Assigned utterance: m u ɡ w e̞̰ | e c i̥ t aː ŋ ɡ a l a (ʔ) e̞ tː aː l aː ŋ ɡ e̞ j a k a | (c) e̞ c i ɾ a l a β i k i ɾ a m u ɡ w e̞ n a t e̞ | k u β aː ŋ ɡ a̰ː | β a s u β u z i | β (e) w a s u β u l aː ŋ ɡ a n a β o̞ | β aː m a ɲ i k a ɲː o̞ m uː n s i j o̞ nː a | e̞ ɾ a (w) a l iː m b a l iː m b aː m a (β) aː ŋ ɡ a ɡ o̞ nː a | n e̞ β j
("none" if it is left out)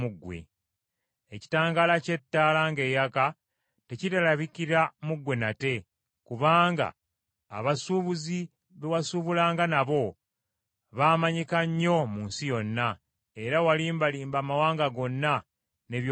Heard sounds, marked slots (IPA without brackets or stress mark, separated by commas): c, t, e, w, w